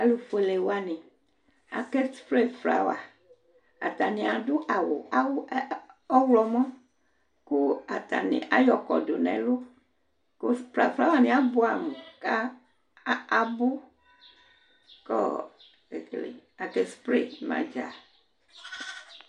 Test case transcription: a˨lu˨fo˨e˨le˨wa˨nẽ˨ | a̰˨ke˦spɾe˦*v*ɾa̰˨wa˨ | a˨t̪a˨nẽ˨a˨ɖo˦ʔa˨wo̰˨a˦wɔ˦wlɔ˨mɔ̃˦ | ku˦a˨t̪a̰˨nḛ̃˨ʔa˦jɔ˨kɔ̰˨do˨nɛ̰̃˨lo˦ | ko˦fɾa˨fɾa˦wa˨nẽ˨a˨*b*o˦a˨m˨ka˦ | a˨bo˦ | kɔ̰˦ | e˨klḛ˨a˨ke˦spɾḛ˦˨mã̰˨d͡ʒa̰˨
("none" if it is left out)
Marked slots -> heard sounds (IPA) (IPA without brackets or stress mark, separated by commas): f, b